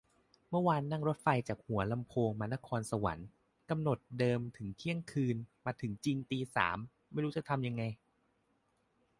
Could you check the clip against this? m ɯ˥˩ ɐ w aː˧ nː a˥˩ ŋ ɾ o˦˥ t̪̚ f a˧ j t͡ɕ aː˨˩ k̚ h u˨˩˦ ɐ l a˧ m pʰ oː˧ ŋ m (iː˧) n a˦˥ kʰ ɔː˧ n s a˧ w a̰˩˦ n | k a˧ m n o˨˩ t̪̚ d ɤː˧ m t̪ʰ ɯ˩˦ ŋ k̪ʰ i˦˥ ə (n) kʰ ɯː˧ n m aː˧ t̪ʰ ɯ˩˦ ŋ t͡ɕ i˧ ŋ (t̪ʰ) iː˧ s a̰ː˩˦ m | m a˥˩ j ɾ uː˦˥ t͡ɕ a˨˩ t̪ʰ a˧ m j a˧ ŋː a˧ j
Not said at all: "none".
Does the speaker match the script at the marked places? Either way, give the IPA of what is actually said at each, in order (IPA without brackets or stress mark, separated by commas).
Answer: aː˧, ŋ, t̪